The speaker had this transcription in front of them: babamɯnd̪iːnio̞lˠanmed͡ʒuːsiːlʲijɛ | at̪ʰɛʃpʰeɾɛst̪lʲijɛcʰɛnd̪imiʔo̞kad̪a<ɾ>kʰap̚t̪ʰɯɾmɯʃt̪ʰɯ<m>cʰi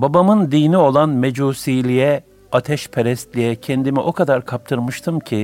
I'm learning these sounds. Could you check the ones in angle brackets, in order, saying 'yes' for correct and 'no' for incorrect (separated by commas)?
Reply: yes, yes